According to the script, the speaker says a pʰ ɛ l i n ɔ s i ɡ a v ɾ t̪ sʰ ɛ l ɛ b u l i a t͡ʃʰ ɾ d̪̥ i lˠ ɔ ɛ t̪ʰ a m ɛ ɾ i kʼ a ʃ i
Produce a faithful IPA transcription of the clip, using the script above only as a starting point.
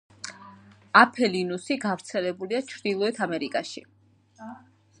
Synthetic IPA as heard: a pʰ ɛ l i n u s i ɡ a v ɾ t̪ sʰ ɛ l ɛ b u l i a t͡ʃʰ ɾ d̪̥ i lˠ ɔ ɛ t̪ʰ a m ɛ ɾ i kʼ a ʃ i